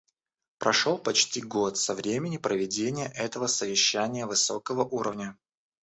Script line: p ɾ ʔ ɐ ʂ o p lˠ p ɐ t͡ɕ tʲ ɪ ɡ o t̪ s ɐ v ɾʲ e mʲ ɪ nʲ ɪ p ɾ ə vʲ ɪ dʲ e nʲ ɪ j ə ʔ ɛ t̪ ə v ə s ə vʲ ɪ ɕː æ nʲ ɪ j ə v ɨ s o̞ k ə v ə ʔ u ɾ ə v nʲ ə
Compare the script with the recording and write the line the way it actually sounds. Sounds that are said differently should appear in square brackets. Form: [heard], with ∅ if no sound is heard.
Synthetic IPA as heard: p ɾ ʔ ɐ ʂ o [∅] lˠ p ɐ t͡ɕ tʲ [i] ɡ o t̪ s ɐ v ɾʲ e mʲ ɪ nʲ ɪ p ɾ ə vʲ ɪ dʲ e nʲ ɪ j ə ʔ ɛ t̪ ə v ə s ə vʲ ɪ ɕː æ nʲ ɪ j ə v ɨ s o̞ k ə v ə ʔ u ɾ ə v nʲ ə